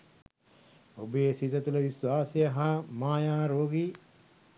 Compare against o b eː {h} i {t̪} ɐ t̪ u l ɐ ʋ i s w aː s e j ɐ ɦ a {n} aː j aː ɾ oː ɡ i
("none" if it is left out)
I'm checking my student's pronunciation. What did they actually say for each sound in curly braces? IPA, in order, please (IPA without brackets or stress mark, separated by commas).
s, t̪, m